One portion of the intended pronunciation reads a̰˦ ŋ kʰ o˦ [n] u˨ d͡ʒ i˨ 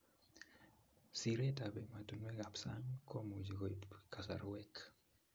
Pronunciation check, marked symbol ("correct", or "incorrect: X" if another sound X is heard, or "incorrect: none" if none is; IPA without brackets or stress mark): incorrect: m